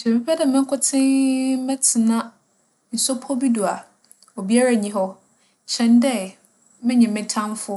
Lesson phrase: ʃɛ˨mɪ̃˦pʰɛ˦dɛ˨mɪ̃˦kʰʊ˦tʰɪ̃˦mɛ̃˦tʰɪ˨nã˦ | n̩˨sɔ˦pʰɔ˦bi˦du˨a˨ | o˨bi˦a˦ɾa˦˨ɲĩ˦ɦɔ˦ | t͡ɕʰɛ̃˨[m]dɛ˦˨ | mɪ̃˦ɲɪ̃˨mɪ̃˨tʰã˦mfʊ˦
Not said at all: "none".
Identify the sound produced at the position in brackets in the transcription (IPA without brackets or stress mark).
n